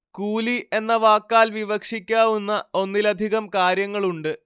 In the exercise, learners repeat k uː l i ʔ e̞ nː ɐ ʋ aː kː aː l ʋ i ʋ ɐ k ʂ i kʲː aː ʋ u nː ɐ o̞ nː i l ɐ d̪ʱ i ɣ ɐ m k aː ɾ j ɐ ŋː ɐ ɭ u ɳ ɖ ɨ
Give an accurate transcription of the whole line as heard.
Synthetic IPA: k uː l i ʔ e̞ nː ɐ ʋ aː kː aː l ʋ i ʋ ɐ k ʂ i kʲː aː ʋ u nː ɐ o̞ nː i l ɐ d̪ʱ i ɣ ɐ m k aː ɾ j ɐ ŋː ɐ ɭ u ɳ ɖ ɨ